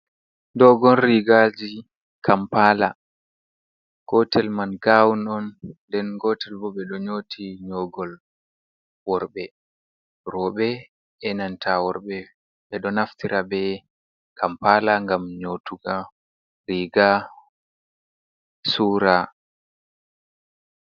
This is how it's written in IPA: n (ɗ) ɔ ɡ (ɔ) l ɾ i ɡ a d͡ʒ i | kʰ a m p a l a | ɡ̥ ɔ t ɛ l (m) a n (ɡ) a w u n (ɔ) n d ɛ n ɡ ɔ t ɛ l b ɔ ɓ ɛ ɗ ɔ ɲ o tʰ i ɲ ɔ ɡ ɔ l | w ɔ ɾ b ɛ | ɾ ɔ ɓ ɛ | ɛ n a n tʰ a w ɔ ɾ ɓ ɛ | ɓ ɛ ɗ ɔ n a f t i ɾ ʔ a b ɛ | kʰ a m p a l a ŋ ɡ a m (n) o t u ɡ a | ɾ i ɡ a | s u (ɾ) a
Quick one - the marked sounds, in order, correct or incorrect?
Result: incorrect, correct, correct, correct, correct, incorrect, correct

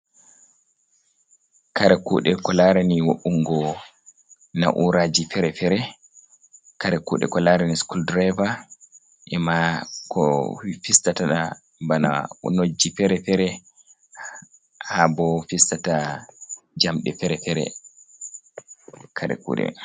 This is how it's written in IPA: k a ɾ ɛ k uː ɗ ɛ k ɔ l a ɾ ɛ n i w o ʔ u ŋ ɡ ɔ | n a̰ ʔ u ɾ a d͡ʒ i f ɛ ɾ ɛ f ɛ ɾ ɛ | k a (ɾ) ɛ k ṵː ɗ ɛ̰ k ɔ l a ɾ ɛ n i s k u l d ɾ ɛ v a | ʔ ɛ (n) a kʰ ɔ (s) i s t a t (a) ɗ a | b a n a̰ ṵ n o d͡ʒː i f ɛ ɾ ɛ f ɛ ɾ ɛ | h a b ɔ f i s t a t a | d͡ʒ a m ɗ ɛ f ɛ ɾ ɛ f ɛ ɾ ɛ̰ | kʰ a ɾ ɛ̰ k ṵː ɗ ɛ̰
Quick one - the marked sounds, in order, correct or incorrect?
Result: correct, incorrect, incorrect, correct

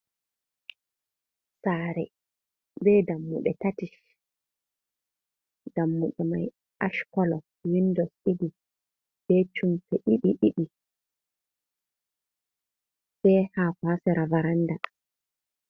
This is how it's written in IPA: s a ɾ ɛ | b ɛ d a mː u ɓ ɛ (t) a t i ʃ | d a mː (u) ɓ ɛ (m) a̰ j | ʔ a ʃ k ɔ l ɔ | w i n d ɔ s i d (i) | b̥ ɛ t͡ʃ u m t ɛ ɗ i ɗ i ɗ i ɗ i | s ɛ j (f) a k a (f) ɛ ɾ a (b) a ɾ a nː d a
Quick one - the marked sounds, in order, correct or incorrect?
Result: correct, correct, correct, correct, incorrect, incorrect, incorrect

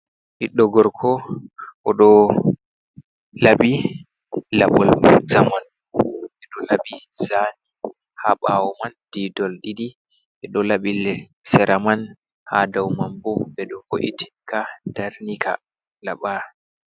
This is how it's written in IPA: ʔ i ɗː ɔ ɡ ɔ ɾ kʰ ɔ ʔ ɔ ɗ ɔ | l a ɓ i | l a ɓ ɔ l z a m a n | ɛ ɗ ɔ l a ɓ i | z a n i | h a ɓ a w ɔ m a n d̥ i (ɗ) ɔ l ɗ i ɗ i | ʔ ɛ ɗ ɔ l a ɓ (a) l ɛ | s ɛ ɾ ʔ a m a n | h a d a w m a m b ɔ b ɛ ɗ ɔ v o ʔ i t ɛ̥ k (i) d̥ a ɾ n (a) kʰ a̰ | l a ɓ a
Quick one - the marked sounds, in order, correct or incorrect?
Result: incorrect, incorrect, incorrect, incorrect

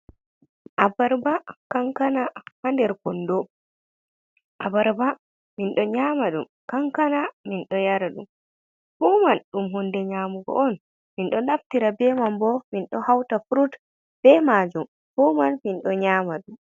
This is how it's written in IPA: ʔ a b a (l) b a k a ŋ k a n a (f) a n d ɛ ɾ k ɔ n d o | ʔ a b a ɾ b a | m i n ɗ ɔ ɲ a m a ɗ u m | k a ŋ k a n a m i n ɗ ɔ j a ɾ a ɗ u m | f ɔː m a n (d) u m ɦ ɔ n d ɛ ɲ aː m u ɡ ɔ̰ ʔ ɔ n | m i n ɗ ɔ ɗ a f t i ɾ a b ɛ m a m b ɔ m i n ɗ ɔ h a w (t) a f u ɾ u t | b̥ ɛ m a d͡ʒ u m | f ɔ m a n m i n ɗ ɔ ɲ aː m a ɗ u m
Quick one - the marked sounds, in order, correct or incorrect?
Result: incorrect, incorrect, incorrect, correct

